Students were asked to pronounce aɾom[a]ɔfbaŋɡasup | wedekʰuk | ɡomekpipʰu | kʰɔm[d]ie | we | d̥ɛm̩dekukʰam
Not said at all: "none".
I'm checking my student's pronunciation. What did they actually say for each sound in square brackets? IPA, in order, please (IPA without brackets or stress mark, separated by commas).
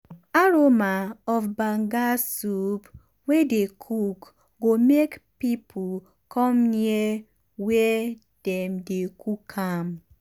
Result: a, n